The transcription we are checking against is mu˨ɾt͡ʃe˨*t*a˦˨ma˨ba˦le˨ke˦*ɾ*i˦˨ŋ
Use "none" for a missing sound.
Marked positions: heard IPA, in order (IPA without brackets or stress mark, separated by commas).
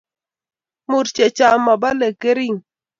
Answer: t͡ʃ, ɾ